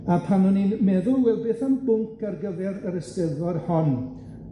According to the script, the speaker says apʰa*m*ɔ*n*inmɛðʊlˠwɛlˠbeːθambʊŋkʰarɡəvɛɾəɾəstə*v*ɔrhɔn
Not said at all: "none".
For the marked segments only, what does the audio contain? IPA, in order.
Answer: n, n, ð

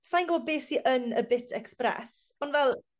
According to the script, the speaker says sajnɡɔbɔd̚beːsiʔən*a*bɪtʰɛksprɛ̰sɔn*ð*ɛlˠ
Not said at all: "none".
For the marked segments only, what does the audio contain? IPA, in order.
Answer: ə, v

